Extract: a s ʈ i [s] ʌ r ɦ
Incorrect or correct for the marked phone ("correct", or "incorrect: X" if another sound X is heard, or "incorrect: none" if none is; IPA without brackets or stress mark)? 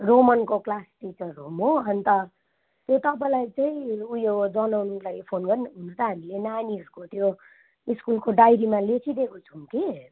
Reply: incorrect: t͡s